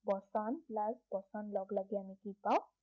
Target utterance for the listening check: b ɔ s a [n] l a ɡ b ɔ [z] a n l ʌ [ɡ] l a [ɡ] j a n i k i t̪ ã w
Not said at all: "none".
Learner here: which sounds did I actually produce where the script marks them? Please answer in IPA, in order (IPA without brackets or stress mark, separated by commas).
n, s, ɡ, ɡ